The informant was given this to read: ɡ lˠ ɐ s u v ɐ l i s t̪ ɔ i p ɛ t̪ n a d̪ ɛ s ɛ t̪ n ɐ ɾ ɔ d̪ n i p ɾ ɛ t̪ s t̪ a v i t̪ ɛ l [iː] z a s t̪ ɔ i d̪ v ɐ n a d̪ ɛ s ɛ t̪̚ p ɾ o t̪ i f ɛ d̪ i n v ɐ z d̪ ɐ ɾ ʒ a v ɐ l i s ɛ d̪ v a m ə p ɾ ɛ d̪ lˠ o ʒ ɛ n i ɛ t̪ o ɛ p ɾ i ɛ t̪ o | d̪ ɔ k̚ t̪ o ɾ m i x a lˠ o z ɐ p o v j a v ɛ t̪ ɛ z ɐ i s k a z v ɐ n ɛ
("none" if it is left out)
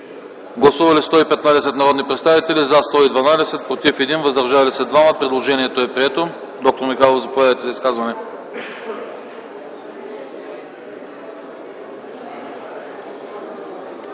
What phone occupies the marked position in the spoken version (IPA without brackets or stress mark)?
i